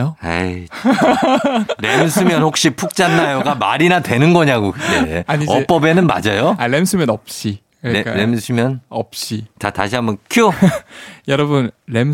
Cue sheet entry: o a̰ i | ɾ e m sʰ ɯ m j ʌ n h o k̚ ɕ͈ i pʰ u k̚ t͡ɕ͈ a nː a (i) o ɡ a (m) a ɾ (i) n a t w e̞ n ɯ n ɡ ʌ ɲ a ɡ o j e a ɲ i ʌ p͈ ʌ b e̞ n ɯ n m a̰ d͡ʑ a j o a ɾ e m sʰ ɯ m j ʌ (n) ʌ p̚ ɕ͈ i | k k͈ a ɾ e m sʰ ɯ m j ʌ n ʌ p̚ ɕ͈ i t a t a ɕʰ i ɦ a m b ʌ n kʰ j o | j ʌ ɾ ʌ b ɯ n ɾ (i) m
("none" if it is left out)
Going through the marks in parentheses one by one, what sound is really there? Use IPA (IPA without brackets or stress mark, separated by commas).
j, m, i, n, e